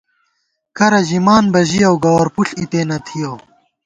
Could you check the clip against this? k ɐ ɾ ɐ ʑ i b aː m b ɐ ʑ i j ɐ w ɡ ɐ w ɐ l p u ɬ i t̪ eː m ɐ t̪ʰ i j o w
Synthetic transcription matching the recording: k ɐ ɾ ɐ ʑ i m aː n b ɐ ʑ i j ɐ w ɡ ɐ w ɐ ɾ p u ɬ i t̪ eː n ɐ t̪ʰ i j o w